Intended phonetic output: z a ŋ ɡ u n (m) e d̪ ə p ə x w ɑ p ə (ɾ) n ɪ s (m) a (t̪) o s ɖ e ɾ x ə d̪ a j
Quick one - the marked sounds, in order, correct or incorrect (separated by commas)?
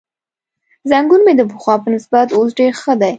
correct, incorrect, incorrect, correct